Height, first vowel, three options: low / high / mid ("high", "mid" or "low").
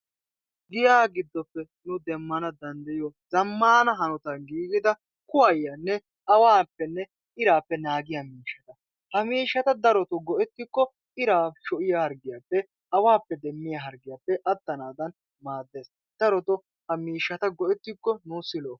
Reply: high